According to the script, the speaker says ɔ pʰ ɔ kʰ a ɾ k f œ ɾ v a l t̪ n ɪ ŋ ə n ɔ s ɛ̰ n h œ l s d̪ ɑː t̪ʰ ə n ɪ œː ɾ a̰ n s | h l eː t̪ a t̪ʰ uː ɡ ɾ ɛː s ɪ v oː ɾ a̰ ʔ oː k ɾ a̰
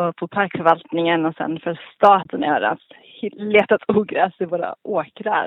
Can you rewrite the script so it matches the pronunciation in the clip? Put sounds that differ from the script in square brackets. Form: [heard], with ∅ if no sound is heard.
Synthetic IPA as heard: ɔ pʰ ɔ [pʰ] a ɾ k f œ ɾ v a l t̪ n ɪ ŋ ə n ɔ s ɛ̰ n [f] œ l s [t̪] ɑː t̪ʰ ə n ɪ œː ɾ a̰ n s | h l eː t̪ a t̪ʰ uː ɡ ɾ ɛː s ɪ v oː ɾ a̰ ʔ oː k ɾ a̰